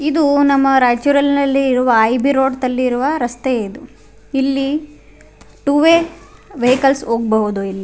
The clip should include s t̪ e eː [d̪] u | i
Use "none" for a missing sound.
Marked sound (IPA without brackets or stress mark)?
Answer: d̪